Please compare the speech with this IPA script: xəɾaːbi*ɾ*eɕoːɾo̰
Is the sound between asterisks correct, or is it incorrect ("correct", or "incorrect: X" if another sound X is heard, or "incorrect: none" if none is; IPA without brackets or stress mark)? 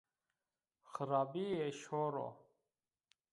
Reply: incorrect: none